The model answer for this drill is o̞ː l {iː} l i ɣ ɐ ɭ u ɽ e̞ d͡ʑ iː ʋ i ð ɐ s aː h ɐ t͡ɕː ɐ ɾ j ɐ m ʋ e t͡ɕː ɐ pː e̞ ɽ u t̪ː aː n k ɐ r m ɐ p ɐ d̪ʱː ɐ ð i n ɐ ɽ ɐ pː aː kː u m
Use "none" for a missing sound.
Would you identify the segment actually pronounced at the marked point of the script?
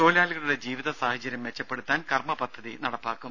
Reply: aː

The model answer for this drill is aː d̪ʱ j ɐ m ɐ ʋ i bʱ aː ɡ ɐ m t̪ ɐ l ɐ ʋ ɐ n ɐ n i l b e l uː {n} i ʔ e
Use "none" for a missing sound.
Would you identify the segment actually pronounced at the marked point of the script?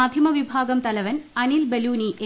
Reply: n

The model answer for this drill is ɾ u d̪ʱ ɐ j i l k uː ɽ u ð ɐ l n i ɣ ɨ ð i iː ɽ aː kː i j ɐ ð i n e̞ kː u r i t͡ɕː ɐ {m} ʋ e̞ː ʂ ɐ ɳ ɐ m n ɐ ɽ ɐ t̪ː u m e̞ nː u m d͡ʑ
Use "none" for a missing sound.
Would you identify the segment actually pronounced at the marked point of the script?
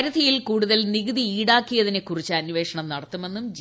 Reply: n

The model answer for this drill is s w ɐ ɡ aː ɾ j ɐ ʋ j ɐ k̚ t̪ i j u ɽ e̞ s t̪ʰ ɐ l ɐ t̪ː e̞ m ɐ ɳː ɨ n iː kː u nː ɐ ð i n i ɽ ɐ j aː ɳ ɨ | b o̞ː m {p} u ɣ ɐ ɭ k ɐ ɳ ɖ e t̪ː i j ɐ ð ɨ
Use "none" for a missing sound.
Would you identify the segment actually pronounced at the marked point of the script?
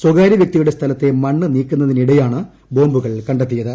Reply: b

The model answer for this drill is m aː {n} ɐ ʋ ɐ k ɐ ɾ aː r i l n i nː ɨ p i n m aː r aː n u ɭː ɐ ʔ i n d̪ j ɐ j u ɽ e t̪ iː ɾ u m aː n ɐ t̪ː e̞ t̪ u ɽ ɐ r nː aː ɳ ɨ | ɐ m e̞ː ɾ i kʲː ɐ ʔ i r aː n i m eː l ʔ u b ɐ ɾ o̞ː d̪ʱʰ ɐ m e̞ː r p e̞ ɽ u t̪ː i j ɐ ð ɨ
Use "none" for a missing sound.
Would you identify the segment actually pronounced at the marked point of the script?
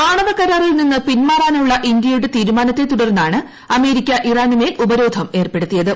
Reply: ɳ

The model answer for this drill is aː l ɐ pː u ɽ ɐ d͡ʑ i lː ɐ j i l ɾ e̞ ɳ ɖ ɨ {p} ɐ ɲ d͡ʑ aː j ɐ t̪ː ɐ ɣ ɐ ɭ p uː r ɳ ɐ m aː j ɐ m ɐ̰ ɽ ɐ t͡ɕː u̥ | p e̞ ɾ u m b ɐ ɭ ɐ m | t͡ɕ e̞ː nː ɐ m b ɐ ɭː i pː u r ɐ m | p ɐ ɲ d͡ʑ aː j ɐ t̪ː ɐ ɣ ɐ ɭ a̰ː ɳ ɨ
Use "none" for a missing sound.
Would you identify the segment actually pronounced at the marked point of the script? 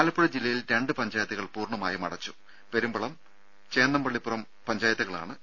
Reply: p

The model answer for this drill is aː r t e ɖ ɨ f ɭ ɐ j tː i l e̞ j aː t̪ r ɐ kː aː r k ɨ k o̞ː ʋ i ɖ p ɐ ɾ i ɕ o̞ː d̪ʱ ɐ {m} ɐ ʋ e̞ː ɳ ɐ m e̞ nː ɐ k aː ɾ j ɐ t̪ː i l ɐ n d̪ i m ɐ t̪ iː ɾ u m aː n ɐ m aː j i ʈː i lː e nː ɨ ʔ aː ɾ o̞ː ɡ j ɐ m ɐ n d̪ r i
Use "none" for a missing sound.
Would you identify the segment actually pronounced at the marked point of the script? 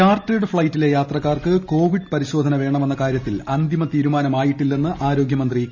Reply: n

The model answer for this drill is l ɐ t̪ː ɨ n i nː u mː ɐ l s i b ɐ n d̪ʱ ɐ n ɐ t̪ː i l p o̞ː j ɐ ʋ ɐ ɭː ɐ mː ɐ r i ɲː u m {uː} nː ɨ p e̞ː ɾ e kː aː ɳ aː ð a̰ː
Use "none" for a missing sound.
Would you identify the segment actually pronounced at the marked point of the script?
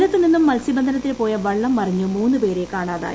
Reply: uː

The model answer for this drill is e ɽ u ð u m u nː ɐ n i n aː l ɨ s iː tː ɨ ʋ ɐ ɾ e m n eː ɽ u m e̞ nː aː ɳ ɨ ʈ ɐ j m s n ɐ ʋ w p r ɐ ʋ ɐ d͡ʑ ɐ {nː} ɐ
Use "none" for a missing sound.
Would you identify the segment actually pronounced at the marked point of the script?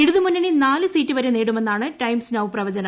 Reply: n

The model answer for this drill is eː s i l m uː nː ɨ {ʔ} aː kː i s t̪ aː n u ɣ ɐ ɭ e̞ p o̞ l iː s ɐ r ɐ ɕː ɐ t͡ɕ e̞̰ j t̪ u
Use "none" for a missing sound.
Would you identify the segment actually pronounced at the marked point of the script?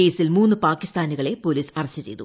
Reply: p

